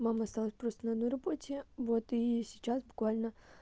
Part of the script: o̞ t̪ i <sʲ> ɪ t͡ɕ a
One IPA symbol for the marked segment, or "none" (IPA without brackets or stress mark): sʲ